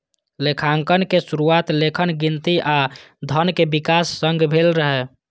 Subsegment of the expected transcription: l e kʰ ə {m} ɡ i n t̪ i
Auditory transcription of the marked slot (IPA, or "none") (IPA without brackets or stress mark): n